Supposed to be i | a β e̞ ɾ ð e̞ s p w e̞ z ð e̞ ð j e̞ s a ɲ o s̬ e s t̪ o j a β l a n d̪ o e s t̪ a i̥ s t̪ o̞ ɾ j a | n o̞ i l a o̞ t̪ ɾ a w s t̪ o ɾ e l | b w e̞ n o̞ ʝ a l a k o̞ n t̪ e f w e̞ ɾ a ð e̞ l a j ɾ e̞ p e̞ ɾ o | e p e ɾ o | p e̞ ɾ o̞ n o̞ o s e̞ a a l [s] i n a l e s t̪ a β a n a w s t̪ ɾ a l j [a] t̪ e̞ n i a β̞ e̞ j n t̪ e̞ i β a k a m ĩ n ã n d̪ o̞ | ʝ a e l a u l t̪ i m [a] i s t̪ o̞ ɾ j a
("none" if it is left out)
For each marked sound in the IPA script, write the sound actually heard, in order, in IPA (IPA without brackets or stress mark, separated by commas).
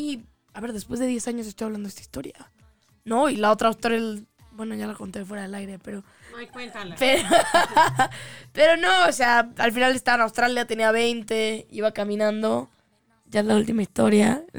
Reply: f, a, a